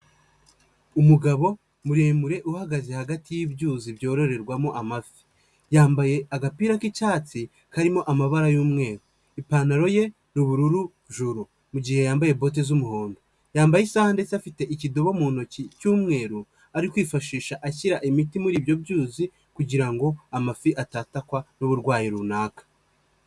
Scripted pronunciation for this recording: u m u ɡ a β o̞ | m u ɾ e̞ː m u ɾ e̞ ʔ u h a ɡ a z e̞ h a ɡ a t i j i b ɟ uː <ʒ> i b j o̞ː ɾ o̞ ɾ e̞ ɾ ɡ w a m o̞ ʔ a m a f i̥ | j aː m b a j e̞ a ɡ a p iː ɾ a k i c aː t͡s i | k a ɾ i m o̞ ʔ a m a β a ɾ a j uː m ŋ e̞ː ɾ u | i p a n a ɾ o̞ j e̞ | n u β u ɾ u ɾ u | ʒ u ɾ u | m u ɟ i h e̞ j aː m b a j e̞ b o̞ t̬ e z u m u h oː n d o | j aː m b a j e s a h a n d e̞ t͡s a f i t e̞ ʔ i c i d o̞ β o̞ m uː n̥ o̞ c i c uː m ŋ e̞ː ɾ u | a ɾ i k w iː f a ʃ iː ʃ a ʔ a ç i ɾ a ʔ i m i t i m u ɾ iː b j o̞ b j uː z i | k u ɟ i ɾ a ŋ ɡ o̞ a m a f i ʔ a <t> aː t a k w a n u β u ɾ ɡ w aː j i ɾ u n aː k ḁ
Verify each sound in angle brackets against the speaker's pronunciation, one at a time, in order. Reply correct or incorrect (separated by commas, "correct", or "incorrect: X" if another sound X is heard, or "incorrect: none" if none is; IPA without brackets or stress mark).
incorrect: z, correct